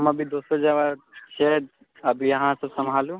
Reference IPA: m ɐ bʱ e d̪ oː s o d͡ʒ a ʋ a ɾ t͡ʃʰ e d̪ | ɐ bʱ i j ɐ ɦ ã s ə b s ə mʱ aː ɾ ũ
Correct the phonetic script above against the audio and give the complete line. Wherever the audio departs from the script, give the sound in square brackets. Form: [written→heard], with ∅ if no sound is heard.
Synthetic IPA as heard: m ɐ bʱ [e→i] d̪ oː s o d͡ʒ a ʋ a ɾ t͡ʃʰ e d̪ | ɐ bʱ i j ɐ ɦ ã s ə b s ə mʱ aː [ɾ→l] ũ